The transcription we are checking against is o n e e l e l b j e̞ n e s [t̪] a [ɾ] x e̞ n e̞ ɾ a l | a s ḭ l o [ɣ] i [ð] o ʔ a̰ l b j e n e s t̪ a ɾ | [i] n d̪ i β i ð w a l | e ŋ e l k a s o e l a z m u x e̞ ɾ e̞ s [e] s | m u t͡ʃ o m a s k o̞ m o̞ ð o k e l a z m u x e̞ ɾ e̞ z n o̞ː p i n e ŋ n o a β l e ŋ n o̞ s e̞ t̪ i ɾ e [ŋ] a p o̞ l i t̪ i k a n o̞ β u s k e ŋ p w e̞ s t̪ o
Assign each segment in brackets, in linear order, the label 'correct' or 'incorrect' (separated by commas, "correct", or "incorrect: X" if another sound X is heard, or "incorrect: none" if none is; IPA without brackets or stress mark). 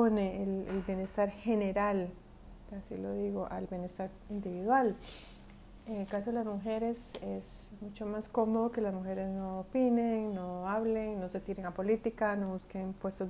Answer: correct, correct, incorrect: ð, incorrect: ɣ, correct, correct, correct